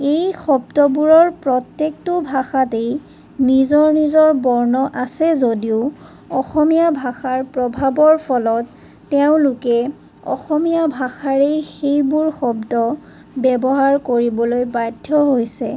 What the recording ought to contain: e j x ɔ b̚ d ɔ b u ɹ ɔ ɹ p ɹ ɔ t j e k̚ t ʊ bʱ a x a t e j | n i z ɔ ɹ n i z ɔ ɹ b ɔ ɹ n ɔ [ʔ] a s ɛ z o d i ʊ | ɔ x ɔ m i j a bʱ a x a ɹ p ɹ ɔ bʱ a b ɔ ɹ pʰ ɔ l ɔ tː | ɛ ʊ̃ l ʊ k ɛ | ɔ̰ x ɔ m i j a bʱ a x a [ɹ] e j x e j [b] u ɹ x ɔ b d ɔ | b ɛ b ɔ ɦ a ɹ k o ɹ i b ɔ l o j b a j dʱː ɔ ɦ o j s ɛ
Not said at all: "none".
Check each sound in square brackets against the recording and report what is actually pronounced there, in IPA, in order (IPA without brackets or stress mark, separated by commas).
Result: ʔ, ɹ, b